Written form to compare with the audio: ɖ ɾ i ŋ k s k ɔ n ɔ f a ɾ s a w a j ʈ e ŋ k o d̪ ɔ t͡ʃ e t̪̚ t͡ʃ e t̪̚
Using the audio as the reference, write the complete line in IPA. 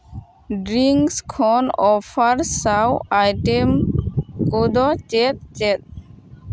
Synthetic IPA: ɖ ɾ i ŋ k s kʰ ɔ n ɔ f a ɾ s a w a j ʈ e m k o d̪ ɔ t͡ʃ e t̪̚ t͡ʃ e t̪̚